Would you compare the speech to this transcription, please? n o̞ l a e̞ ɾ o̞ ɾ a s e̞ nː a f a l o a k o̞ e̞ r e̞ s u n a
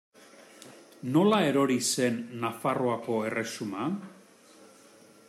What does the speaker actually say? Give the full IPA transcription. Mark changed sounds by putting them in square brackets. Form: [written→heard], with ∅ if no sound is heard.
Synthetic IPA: n o̞ l a e̞ ɾ o̞ ɾ [a→i] s e̞ nː a f a [l→r] o a k o̞ e̞ r e̞ s u [n→m] a